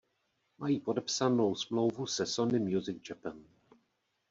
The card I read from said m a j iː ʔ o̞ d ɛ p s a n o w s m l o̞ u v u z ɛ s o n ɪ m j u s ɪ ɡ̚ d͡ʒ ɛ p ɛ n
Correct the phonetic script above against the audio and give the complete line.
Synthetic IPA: m a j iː p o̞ d ɛ p s a n o w s m l o̞ w v u s ɛ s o n ɪ m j u z ɪ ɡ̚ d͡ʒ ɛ p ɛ n